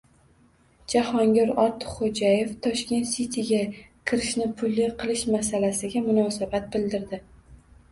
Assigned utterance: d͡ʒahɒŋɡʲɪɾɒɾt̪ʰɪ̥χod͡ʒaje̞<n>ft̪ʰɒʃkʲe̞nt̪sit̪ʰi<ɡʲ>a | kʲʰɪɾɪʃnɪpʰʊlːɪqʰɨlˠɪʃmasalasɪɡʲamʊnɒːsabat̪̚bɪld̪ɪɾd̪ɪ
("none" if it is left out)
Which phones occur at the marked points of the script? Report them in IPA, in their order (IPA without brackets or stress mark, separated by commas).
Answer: none, ɡʲ